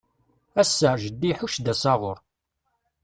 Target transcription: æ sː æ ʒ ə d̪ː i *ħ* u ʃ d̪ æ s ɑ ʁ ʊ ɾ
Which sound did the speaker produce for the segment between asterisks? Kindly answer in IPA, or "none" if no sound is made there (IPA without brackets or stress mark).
ħ